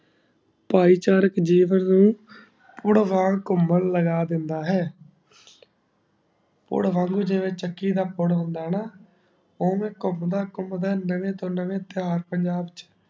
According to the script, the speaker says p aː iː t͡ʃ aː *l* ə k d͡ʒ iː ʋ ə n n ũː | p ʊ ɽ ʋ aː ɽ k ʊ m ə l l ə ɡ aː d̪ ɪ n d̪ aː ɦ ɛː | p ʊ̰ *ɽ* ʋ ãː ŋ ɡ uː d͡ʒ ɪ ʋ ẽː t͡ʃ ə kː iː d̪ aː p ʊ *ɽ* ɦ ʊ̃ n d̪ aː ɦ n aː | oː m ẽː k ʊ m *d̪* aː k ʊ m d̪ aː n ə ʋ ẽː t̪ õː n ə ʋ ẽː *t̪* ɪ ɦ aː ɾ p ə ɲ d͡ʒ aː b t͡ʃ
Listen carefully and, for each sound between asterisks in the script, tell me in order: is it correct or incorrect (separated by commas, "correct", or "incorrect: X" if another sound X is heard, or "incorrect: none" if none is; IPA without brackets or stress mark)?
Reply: incorrect: ɾ, correct, correct, correct, correct